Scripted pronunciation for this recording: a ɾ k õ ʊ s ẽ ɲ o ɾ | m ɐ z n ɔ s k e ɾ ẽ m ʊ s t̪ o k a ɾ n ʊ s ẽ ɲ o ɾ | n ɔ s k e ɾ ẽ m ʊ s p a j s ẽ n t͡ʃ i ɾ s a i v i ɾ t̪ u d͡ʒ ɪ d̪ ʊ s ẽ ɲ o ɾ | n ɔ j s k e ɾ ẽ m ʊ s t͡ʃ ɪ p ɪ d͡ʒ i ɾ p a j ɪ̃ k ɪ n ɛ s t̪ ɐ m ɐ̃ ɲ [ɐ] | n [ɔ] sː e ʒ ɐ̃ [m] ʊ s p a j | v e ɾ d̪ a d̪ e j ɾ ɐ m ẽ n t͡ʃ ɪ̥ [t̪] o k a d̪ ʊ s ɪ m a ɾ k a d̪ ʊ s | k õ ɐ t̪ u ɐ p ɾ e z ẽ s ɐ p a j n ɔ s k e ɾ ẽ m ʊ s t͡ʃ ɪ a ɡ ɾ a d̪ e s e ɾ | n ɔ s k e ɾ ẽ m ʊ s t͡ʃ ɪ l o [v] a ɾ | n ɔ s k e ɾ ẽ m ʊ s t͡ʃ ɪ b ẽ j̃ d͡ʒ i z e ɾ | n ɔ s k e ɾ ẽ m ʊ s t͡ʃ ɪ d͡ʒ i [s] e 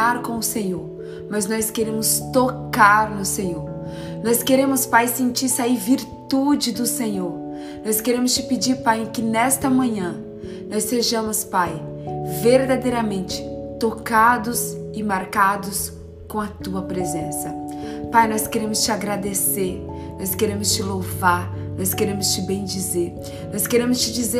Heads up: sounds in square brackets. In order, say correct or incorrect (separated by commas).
incorrect, correct, correct, correct, correct, incorrect